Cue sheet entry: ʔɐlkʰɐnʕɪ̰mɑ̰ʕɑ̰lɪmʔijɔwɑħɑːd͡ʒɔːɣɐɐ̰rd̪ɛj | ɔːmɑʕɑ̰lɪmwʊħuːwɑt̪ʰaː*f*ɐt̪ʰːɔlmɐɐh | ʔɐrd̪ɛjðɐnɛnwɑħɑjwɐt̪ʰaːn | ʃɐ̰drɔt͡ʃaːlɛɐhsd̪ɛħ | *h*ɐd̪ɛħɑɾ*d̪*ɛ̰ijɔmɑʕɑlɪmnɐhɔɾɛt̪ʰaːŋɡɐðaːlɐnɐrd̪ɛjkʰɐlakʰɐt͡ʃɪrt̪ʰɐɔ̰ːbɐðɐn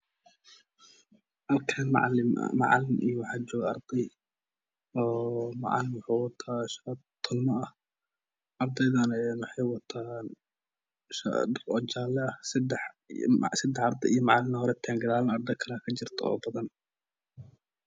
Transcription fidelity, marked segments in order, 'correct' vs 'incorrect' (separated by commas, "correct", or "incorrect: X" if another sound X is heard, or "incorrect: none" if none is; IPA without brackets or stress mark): incorrect: ʃ, incorrect: s, correct